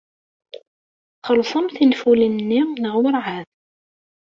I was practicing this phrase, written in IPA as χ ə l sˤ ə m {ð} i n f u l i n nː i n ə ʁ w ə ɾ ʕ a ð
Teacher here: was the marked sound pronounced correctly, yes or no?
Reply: no